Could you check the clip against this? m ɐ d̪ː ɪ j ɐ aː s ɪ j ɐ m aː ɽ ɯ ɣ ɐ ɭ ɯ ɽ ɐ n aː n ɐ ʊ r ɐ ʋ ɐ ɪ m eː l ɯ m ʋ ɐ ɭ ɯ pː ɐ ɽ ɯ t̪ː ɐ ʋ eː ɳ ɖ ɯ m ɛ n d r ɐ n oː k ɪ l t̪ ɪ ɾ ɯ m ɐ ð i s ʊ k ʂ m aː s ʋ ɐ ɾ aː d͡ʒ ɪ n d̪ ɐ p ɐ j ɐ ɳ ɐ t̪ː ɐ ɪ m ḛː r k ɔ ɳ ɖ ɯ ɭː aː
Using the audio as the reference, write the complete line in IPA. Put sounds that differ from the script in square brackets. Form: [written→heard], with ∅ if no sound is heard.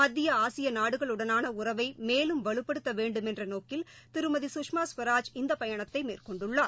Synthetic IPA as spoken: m ɐ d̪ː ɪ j ɐ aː s ɪ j ɐ [m→n] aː ɽ ɯ ɣ ɐ ɭ ɯ ɽ ɐ n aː n ɐ ʊ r ɐ ʋ ɐ ɪ m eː l ɯ m ʋ ɐ ɭ ɯ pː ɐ ɽ ɯ t̪ː ɐ ʋ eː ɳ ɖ ɯ m ɛ n d r ɐ n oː k ɪ l t̪ ɪ ɾ ɯ m ɐ ð i s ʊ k ʂ m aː s ʋ ɐ ɾ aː d͡ʒ ɪ n d̪ ɐ p ɐ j ɐ ɳ ɐ t̪ː ɐ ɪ m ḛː r k ɔ ɳ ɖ ɯ ɭː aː